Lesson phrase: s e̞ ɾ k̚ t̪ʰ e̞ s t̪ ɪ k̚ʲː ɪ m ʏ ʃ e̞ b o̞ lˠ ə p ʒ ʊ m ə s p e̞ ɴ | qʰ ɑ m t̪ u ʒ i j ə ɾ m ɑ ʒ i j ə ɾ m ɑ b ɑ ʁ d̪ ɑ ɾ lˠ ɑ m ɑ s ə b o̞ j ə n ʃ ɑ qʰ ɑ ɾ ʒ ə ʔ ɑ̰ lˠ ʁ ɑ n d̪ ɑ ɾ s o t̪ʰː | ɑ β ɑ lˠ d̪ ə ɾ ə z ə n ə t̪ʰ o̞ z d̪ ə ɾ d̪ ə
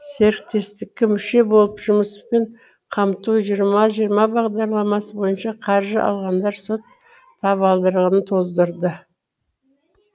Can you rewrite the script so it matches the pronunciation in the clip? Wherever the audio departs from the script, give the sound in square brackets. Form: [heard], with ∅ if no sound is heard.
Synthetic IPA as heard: s e̞ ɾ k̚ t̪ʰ e̞ s t̪ ɪ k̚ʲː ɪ m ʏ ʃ e̞ b o̞ lˠ ə p ʒ ʊ m ə s p e̞ ɴ | qʰ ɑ m t̪ u ʒ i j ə ɾ m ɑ ʒ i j ə ɾ m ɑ b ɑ ʁ d̪ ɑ ɾ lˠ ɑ m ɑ s ə b o̞ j ə n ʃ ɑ qʰ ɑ ɾ ʒ ə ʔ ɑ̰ lˠ ʁ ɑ n d̪ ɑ ɾ s o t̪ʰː | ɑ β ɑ lˠ d̪ ə ɾ ə [ʁ] ə n ə t̪ʰ o̞ z d̪ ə ɾ d̪ ə

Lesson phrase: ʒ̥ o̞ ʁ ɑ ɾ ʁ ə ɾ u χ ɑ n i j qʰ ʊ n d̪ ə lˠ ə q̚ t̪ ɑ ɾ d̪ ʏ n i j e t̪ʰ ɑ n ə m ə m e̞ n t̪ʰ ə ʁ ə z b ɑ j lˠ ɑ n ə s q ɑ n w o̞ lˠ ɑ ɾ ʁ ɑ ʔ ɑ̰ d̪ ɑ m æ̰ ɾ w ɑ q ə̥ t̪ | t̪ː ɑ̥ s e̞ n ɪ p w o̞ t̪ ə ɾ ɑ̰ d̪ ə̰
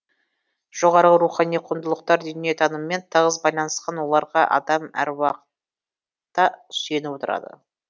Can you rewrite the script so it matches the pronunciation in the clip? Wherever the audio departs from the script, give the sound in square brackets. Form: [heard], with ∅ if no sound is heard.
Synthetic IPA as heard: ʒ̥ o̞ ʁ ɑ ɾ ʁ ə ɾ u χ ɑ n i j qʰ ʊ n d̪ ə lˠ ə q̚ t̪ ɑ ɾ d̪ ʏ n i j e t̪ʰ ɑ n ə m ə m e̞ n t̪ʰ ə ʁ ə z b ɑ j lˠ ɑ n ə s q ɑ n w o̞ lˠ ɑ ɾ ʁ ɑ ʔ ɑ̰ d̪ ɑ m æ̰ ɾ w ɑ q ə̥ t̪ | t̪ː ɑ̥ s e̞ n ɪ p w o̞ t̪ ə ɾ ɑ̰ d̪ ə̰

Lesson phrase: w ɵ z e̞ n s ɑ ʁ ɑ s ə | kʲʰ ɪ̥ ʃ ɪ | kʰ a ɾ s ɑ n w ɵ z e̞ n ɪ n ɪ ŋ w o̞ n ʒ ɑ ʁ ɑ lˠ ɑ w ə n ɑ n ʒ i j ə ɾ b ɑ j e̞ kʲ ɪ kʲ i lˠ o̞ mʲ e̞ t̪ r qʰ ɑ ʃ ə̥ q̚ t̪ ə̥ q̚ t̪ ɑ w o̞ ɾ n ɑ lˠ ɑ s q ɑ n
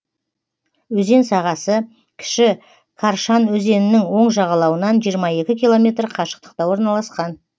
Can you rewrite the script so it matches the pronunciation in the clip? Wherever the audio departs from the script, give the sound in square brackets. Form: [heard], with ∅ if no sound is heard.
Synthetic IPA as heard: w ɵ z e̞ n s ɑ ʁ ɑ s ə | kʲʰ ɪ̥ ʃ ɪ | kʰ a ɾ [ʃ] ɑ n w ɵ z e̞ n ɪ n ɪ ŋ w o̞ [ɴ] ʒ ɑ ʁ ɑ lˠ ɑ w ə n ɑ n ʒ i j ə ɾ [m] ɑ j e̞ kʲ ɪ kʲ i lˠ o̞ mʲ e̞ t̪ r qʰ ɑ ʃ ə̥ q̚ t̪ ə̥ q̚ t̪ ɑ w o̞ ɾ n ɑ lˠ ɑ s q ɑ n

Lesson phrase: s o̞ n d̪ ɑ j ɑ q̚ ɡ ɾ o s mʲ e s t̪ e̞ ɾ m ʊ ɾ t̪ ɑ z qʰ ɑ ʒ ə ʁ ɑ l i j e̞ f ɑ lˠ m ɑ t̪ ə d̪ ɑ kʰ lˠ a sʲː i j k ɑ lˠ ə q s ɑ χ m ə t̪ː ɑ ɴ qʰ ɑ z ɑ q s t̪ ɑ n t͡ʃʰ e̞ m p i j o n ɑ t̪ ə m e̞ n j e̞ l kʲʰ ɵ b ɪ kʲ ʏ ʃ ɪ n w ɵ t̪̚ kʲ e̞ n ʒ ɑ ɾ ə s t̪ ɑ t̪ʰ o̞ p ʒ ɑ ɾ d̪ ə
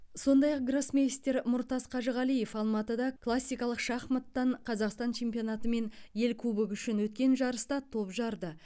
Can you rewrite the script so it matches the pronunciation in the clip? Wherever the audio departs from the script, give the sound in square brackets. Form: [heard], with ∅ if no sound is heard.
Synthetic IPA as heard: s o̞ n d̪ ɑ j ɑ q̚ ɡ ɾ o s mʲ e s t̪ e̞ ɾ m ʊ ɾ t̪ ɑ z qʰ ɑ ʒ ə ʁ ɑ l i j e̞ f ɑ lˠ m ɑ t̪ ə d̪ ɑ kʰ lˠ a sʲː i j k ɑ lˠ ə q [ʃ] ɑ χ m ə t̪ː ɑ ɴ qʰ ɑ z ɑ q s t̪ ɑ n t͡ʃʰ e̞ m p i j o n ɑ t̪ ə m e̞ n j e̞ l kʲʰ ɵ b ɪ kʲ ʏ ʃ ɪ n w ɵ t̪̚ kʲ e̞ n ʒ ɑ ɾ ə s t̪ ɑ t̪ʰ o̞ p ʒ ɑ ɾ d̪ ə

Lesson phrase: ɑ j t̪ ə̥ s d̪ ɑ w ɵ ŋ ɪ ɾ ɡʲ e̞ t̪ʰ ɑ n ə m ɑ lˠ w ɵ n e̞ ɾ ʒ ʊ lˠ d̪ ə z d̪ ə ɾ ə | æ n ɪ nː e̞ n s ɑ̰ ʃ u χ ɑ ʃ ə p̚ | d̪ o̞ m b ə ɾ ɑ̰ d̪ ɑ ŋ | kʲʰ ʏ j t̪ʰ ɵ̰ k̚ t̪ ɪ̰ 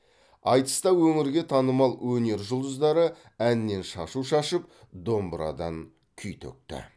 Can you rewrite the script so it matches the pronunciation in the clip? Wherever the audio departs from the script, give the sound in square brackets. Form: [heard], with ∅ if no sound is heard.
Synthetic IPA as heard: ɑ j t̪ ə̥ s [t̪] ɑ w ɵ ŋ ɪ ɾ ɡʲ e̞ t̪ʰ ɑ n ə m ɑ lˠ w ɵ n e̞ ɾ ʒ ʊ lˠ d̪ ə z d̪ [ɑ] ɾ ə | æ n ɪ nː e̞ n [ʃ] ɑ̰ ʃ u [ʃ] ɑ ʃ ə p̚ | d̪ o̞ m b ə ɾ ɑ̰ d̪ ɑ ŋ | kʲʰ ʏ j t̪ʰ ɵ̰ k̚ t̪ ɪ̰

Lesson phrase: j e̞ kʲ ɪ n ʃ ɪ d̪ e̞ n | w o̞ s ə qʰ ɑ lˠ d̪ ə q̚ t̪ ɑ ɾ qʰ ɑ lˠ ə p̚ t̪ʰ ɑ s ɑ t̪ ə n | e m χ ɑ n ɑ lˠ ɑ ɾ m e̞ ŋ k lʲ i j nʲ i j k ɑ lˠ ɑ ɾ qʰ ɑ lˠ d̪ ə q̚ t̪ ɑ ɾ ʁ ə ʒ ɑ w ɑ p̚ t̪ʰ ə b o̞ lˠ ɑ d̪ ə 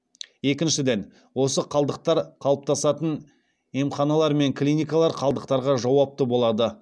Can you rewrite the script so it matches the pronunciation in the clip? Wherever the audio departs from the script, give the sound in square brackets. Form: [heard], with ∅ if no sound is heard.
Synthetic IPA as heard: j e̞ kʲ ɪ n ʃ ɪ d̪ e̞ n | w o̞ s ə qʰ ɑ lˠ d̪ ə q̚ t̪ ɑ ɾ qʰ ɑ lˠ ə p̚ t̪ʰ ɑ s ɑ t̪ ə n | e m χ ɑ n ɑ lˠ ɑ ɾ m e̞ ŋ k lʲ i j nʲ i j k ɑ lˠ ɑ ɾ qʰ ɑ lˠ d̪ ə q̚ t̪ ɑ ɾ ʁ [ɑ] ʒ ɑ w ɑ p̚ [t̪] ə b o̞ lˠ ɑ d̪ ə

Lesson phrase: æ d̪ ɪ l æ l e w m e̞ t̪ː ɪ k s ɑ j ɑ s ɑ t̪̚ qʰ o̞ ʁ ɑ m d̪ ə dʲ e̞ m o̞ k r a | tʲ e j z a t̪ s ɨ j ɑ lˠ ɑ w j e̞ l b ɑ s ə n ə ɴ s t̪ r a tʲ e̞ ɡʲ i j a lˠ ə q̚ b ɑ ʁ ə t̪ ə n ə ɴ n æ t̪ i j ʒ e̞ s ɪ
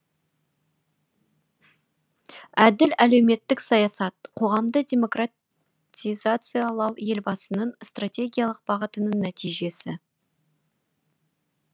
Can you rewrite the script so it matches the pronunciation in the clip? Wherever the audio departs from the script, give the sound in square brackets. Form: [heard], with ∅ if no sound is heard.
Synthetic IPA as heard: æ d̪ ɪ l æ l e w m e̞ t̪ː ɪ k s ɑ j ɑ s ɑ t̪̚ qʰ o̞ ʁ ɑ m d̪ ə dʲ e̞ m o̞ k r a | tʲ [i] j z a t̪ s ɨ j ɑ lˠ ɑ w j e̞ l b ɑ s ə n ə ɴ s t̪ r a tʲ e̞ ɡʲ i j a lˠ ə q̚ b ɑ ʁ ə t̪ ə n ə ɴ n æ t̪ i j ʒ e̞ s ɪ

